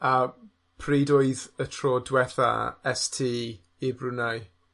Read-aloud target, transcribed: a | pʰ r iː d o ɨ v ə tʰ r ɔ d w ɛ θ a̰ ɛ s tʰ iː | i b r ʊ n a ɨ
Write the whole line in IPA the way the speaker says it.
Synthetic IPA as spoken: a | pʰ r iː d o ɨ ð ə tʰ r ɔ d w ɛ θ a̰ ɛ s tʰ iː | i b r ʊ n a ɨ